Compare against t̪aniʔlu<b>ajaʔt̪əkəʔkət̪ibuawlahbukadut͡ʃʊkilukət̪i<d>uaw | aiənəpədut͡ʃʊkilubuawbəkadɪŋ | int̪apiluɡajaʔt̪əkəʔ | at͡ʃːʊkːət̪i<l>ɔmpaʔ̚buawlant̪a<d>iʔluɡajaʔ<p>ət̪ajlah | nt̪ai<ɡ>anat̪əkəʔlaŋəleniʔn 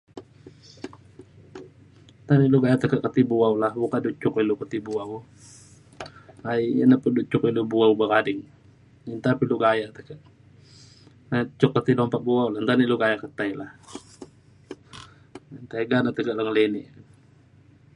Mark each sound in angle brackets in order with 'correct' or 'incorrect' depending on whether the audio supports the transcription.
incorrect, incorrect, correct, incorrect, incorrect, correct

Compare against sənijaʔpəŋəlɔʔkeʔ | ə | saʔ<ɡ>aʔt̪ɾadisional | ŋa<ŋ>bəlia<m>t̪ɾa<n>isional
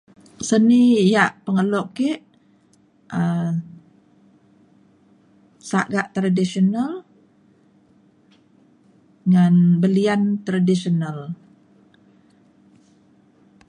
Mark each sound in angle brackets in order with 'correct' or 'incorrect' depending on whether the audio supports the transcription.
correct, incorrect, incorrect, incorrect

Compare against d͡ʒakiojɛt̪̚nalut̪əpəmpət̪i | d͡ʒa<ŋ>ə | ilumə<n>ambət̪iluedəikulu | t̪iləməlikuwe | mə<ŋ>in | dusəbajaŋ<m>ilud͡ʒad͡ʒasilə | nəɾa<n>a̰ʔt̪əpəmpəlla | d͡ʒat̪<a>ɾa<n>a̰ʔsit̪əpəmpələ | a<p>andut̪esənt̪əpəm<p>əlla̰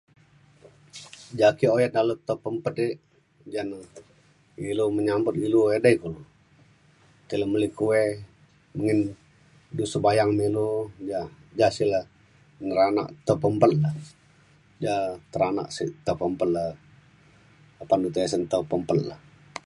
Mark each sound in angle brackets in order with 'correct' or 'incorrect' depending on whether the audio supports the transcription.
incorrect, incorrect, correct, correct, correct, incorrect, correct, correct, correct

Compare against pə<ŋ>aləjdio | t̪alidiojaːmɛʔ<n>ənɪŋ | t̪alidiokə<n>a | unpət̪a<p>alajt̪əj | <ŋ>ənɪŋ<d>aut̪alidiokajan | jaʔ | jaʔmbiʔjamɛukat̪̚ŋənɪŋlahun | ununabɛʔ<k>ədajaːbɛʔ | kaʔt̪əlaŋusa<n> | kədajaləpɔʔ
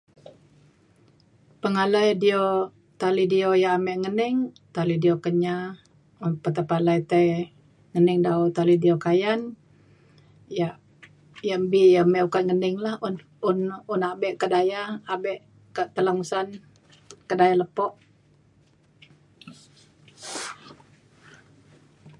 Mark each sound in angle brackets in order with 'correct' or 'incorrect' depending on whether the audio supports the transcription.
correct, incorrect, incorrect, correct, correct, correct, correct, correct

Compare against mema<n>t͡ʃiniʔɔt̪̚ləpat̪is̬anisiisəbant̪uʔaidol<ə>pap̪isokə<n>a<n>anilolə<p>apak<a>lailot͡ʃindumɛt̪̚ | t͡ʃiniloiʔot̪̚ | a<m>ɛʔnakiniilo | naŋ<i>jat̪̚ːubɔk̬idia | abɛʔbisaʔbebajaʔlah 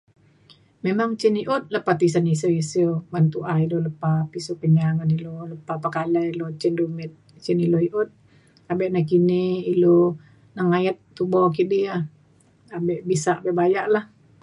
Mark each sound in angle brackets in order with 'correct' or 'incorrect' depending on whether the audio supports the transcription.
incorrect, correct, incorrect, incorrect, correct, correct, incorrect, incorrect

